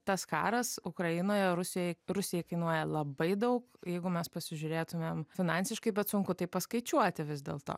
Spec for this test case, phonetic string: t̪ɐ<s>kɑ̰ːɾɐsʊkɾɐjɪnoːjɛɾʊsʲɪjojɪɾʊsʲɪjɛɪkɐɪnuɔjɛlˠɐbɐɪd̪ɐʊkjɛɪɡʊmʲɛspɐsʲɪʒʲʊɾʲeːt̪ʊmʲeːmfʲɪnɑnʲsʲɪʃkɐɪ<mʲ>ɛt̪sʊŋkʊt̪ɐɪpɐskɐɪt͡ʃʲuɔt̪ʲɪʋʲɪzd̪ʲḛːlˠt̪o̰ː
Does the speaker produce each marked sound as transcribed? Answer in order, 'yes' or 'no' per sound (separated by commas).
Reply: yes, no